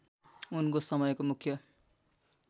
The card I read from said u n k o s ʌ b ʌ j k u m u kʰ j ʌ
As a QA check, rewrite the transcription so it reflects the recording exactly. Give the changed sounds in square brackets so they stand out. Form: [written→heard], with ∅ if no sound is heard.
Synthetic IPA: u n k o s ʌ [b→m] ʌ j k [u→o] m u kʰ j ʌ